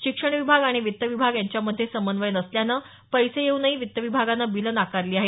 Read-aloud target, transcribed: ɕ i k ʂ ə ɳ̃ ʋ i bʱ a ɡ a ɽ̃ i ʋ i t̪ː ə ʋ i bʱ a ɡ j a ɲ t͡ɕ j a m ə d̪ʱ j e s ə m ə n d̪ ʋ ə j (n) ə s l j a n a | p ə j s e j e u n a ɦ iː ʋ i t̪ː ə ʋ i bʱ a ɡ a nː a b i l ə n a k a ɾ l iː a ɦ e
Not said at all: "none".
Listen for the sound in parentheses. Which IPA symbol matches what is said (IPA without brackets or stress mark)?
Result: n